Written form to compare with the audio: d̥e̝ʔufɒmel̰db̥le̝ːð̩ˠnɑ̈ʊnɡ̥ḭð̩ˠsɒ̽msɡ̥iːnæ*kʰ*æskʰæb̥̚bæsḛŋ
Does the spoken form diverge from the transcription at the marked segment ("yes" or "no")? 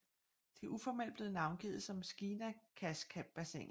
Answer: no